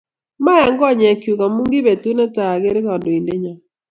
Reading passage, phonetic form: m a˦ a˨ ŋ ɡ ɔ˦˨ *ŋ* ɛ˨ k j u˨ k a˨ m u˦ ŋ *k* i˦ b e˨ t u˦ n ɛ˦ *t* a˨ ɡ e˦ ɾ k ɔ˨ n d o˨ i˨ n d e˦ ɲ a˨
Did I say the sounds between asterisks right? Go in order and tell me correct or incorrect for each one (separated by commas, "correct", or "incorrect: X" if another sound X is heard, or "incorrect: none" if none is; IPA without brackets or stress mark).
incorrect: ɲ, incorrect: ɡ, correct